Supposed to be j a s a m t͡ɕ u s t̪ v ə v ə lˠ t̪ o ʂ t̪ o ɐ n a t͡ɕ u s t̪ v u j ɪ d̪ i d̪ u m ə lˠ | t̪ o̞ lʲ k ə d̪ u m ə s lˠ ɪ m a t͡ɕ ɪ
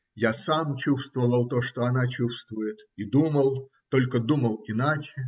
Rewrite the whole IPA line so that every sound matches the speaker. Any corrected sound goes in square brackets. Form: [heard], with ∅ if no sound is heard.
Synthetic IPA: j a s a m t͡ɕ u s t̪ v ə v ə lˠ t̪ o ʂ t̪ o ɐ n a t͡ɕ u s t̪ v [ʊ] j ɪ [t̪] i d̪ u m ə lˠ | t̪ o̞ lʲ k ə d̪ u m ə [∅] lˠ ɪ [n] a t͡ɕ ɪ